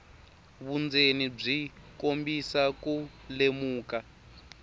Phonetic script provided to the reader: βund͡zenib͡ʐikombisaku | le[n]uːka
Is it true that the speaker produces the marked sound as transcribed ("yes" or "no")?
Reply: no